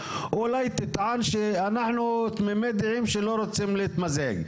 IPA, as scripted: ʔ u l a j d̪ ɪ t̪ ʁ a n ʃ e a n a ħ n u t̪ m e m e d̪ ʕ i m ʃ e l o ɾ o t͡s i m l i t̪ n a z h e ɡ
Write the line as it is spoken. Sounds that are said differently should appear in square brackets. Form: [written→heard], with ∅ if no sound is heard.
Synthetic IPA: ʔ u l a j [d̪→t̪] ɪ t̪ [ʁ→ʕ] a n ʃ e a n a ħ n u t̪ m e m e d̪ ʕ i m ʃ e l o ɾ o t͡s i m l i t̪ [n→m] a z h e ɡ

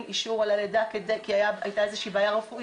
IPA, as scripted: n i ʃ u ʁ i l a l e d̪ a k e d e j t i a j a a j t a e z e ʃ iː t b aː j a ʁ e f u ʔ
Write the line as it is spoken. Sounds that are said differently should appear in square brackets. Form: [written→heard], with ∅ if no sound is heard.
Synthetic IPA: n i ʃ u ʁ [i→a] l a l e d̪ a k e d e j [t→k] i a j a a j t a e z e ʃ iː [t→∅] b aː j a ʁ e f u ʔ

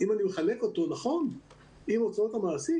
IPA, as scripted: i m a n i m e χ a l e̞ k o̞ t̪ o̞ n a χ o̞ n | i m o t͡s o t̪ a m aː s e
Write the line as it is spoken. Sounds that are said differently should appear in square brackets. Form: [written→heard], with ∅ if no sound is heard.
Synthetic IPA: i m a n i m e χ a l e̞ k o̞ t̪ o̞ n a χ o̞ n | i m o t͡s o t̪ a m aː s [e→i]

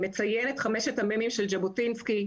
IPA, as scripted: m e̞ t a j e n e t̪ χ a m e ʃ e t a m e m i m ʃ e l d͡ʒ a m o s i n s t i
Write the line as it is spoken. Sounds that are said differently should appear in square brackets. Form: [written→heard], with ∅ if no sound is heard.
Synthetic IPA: m e̞ [t→t͡s] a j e n e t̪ χ a m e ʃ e t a m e m i m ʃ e l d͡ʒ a [m→b] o [s→t] i n s [t→k] i

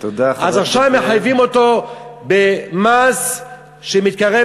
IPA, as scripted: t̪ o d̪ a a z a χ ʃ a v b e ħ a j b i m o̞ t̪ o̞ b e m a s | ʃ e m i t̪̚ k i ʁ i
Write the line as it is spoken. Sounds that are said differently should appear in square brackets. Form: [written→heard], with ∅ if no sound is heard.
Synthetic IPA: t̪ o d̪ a a z a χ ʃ a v [b→m] e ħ a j [b→v] i m o̞ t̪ o̞ b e m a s | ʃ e m i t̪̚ k [i→a] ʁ [i→e]

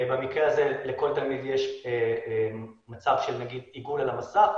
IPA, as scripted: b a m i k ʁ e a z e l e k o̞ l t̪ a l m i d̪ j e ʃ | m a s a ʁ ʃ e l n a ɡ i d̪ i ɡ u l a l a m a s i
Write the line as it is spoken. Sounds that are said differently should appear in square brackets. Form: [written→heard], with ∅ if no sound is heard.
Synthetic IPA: b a m i k ʁ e a z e l e k o̞ l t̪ a l m i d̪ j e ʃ | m a [s→t͡s] a [ʁ→v] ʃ e l n a ɡ i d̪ i ɡ u l a l a m a s [i→a]

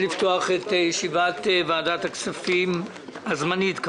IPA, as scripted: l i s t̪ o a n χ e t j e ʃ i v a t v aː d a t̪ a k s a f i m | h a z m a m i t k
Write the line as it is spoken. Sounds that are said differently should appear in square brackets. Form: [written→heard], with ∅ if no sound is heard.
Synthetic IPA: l i [s→f] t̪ o a [n→∅] χ e t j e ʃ i v a t v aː d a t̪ a k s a f i m | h a z m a [m→n] i t k

